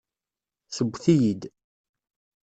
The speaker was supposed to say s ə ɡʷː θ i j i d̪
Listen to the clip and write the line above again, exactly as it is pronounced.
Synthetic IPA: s ə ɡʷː θ i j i d̪